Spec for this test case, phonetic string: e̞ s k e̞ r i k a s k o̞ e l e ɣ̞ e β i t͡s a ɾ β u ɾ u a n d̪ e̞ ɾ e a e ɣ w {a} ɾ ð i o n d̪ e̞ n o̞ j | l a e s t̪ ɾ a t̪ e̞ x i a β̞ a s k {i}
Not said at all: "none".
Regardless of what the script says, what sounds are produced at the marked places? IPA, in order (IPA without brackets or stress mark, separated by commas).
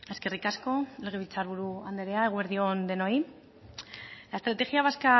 e, a